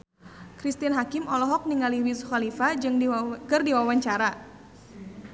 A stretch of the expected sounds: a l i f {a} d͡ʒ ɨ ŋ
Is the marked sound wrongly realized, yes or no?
no